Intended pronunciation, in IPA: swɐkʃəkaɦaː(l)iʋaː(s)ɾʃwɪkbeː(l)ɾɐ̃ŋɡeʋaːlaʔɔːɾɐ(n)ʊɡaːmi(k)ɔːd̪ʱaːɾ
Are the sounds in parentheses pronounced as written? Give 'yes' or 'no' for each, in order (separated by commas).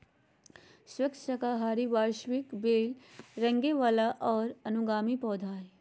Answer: no, no, yes, yes, no